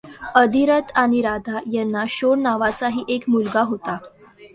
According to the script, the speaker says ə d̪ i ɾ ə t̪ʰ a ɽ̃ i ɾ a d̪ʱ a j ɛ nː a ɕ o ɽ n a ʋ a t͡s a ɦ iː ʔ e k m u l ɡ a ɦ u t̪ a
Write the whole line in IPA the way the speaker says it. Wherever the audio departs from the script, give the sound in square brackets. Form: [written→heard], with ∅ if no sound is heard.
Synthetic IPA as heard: ə d̪ i ɾ ə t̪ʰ a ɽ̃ i ɾ a d̪ʱ a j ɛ nː a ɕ o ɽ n a ʋ a t͡s a ɦ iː ʔ e k m u l ɡ a ɦ [u→o] t̪ a